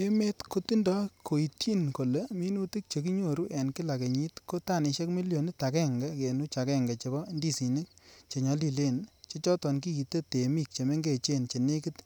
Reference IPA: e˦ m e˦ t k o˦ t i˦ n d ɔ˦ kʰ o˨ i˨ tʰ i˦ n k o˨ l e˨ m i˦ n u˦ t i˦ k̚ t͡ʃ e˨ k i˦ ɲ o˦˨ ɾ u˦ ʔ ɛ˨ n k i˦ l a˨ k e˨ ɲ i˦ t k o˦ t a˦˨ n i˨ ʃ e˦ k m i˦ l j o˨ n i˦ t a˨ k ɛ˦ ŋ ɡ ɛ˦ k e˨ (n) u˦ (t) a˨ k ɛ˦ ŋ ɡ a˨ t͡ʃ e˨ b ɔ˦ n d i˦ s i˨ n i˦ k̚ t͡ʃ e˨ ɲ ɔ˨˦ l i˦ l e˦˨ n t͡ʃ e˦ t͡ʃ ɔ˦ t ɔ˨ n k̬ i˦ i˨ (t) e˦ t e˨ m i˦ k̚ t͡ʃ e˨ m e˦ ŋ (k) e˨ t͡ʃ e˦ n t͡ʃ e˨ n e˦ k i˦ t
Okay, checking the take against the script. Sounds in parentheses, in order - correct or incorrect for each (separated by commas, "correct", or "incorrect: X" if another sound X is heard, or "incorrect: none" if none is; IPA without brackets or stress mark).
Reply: correct, incorrect: t͡ʃ, correct, incorrect: ɡ